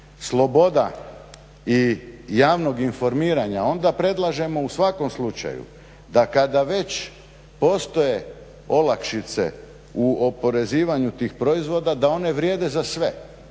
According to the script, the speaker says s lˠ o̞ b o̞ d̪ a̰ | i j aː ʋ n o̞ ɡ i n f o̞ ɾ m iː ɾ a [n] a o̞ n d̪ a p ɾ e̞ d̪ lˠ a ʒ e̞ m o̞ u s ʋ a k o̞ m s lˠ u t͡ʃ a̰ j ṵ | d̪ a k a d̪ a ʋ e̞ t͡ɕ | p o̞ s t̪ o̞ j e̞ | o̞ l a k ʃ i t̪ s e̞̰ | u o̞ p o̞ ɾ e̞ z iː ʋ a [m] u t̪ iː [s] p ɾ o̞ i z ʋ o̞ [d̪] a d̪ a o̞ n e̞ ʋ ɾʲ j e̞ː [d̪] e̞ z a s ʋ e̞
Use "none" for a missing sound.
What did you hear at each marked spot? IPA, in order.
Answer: ɲ, ɲ, x, d̪, d̪

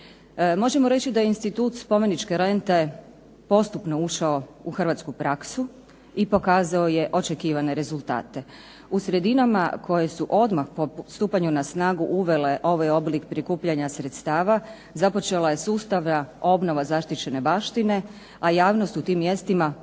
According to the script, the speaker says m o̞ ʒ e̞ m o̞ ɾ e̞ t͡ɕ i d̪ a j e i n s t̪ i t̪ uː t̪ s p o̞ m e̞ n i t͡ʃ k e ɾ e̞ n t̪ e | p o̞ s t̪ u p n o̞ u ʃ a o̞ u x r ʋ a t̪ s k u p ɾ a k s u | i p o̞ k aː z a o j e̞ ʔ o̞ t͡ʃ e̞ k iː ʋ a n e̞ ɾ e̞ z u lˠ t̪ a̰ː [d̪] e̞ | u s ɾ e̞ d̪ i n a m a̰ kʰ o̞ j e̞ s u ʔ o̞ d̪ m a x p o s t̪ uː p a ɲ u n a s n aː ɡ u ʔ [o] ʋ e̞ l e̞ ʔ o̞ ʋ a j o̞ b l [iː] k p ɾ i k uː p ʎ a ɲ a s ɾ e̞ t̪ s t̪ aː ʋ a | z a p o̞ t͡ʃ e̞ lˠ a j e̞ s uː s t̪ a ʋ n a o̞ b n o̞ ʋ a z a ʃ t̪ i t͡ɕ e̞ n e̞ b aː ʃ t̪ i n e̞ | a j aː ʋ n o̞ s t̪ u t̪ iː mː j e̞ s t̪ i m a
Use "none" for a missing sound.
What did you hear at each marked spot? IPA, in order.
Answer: t̪, u, i

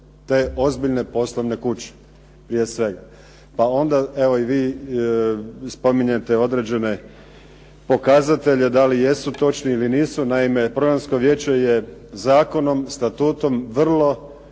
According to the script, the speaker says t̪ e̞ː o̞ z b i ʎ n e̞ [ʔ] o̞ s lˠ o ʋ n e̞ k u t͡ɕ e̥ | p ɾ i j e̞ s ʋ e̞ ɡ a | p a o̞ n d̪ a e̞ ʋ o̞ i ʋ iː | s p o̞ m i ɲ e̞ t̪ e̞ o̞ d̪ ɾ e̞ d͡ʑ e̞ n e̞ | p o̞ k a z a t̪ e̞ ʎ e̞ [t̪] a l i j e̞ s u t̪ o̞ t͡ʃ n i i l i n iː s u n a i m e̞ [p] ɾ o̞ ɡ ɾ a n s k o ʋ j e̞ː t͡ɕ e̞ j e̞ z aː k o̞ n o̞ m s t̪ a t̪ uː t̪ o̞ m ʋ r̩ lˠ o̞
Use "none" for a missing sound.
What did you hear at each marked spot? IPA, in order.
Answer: p, d̪, p

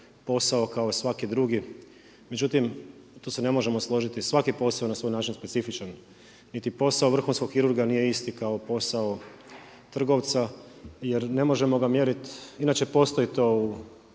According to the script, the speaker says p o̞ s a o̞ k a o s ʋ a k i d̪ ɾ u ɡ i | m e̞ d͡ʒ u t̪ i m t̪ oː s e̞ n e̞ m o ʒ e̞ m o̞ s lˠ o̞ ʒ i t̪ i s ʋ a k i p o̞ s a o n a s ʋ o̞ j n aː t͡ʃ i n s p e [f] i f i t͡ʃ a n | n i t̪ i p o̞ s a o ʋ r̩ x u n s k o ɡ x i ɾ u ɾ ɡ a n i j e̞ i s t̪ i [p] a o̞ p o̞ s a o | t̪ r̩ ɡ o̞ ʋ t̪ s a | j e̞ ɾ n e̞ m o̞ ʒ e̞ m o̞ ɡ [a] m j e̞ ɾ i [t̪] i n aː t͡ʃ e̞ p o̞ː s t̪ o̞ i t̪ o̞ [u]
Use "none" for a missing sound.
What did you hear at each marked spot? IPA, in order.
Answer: s, k, a, t̪, u

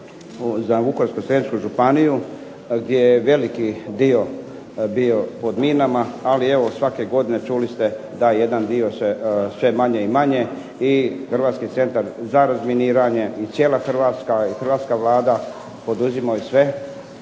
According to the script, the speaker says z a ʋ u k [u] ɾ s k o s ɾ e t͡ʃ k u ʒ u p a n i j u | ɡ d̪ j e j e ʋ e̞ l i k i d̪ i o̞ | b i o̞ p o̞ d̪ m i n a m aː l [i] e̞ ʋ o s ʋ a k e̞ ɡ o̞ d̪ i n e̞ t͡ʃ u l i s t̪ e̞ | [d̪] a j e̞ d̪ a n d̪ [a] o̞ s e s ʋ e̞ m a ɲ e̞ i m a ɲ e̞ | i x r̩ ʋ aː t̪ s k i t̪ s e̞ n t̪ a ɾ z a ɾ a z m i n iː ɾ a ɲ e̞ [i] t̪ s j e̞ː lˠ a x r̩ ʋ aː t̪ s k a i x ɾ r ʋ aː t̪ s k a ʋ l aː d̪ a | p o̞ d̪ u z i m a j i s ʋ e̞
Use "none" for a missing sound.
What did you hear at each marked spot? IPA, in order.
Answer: o, i, d̪, i, i

